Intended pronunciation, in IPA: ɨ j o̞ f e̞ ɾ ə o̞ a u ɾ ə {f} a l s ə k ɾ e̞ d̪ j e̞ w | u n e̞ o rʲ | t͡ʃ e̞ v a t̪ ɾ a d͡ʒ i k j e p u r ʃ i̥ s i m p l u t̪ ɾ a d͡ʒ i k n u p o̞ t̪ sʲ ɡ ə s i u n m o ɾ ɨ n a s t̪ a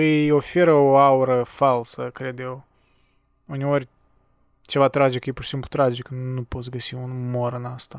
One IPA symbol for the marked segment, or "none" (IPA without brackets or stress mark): f